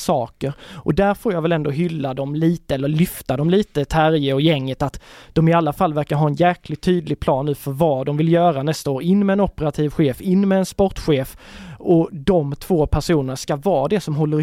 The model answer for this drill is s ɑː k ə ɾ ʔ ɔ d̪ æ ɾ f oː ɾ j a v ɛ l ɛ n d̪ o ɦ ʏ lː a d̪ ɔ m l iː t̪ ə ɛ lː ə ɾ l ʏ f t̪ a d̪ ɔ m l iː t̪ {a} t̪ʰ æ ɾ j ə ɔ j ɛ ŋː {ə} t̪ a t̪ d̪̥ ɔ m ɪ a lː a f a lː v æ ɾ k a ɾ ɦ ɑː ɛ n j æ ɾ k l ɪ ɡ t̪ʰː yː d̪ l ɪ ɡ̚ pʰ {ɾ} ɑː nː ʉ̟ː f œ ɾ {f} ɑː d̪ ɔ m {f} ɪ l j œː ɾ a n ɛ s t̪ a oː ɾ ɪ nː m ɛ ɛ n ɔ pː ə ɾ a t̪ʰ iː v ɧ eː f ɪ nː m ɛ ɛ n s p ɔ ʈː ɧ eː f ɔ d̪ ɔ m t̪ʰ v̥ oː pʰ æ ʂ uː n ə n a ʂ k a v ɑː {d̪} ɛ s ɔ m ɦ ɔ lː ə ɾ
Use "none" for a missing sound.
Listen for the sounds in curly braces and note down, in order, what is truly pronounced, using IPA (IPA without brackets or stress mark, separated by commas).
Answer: ə, ə, l, v, v, d̪